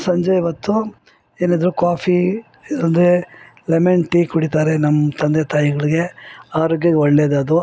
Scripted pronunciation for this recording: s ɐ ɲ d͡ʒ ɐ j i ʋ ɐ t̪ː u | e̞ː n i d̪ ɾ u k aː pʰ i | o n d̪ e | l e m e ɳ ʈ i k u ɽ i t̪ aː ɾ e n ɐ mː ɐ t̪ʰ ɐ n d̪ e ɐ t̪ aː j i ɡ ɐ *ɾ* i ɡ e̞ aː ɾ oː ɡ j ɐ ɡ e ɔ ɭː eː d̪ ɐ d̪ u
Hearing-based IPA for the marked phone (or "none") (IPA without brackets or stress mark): ɭ